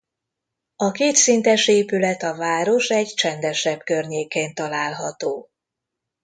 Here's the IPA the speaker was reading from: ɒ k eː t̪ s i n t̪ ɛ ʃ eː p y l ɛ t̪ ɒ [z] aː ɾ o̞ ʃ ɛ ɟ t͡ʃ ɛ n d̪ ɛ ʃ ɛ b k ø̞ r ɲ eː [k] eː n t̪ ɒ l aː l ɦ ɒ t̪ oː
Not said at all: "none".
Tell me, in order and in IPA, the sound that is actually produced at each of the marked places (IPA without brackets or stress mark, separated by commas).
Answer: v, k